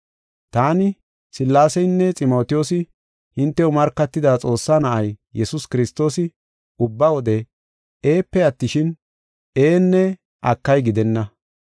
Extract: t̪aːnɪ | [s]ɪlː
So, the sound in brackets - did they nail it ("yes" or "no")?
yes